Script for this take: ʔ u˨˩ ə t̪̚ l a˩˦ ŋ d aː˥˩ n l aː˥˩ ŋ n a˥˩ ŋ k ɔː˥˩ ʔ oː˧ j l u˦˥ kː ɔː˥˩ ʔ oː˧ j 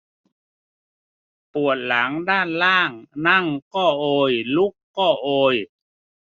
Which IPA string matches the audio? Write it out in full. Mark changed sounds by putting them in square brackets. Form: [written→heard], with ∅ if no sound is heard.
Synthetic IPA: [ʔ→p] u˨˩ ə t̪̚ l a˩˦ ŋ d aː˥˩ n l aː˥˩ ŋ n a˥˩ ŋ k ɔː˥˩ ʔ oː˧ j l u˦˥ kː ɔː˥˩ ʔ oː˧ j